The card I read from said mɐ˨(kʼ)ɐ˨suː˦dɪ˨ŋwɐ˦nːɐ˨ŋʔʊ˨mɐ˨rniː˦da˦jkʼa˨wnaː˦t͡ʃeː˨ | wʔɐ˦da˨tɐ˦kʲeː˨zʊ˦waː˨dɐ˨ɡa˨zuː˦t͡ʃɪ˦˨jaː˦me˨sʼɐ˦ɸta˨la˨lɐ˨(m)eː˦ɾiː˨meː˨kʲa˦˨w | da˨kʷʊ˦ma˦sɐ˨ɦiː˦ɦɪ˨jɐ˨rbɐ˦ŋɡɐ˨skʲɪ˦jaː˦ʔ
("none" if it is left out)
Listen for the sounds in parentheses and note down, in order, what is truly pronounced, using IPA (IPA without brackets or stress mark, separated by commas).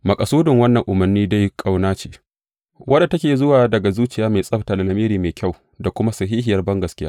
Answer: kʼ, m